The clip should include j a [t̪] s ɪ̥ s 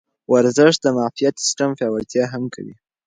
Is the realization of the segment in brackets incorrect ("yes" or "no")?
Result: no